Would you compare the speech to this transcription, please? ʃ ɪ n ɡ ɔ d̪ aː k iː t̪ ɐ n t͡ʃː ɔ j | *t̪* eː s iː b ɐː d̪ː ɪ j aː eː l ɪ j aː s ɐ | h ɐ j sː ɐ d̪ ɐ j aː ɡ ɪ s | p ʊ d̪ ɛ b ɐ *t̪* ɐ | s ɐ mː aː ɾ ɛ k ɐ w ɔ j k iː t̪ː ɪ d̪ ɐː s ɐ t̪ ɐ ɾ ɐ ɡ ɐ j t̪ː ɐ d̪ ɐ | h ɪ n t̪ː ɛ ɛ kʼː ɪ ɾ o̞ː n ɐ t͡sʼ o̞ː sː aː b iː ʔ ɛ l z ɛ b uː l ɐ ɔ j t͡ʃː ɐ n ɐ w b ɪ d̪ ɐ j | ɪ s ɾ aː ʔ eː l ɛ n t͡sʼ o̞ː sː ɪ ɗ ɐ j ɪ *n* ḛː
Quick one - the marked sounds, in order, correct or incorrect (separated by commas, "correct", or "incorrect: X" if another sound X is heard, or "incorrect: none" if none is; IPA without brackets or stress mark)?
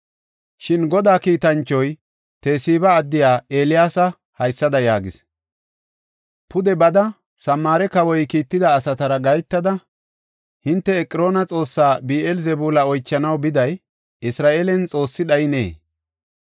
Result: correct, incorrect: d̪, correct